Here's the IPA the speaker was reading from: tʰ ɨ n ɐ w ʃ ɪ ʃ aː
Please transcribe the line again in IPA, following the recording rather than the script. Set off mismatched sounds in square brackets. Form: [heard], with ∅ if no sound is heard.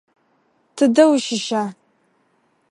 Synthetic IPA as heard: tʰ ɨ [d] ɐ w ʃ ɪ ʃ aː